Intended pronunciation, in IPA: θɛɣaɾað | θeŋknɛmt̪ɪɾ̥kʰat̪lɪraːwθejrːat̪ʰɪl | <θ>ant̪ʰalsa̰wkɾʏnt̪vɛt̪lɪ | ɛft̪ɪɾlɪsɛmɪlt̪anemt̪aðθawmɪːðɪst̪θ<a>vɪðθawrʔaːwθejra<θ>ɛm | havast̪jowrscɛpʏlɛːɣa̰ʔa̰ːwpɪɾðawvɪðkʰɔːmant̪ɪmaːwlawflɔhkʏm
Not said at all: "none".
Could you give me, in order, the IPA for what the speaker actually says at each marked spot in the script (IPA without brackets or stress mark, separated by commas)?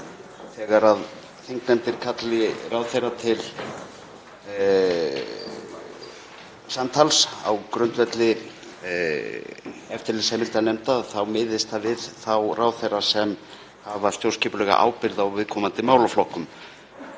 s, a, s